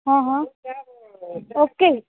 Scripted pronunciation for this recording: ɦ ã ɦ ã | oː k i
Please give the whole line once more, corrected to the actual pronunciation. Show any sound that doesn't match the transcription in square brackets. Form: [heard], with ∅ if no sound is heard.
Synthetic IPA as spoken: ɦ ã ɦ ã | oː k [e]